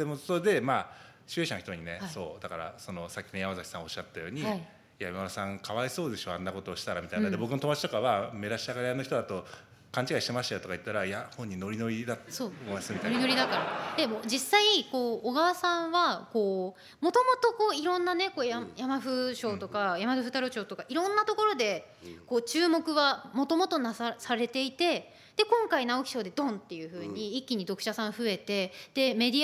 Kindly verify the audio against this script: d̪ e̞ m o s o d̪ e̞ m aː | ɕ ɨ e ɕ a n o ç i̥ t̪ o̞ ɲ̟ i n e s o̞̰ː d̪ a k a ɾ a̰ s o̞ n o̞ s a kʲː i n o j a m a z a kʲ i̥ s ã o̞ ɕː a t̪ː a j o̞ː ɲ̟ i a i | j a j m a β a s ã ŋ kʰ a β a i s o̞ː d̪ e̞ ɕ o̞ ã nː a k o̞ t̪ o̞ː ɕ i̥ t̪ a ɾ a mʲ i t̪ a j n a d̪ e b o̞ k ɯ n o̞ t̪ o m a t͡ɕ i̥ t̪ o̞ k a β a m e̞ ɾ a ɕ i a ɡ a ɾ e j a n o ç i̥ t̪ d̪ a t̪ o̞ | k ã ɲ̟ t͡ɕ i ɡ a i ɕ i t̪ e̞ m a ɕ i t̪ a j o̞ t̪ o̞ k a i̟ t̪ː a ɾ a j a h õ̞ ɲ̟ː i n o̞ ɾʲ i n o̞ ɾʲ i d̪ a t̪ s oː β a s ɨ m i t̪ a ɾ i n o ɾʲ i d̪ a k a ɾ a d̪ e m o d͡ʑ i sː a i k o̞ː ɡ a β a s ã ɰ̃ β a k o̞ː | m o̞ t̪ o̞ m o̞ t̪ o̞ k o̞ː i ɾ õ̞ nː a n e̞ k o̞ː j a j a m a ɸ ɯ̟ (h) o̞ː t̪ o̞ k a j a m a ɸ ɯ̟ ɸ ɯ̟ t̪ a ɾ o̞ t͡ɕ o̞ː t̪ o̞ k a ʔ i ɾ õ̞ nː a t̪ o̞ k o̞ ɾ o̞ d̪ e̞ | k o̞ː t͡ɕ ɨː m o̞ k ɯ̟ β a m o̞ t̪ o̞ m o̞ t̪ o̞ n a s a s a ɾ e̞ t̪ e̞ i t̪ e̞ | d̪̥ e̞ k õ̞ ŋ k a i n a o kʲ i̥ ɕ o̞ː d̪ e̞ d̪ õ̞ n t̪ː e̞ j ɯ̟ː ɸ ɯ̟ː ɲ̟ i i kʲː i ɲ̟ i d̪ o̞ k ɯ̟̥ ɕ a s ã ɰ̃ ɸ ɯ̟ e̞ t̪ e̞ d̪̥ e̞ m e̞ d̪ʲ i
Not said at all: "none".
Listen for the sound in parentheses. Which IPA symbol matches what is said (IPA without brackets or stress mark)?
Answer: ɕ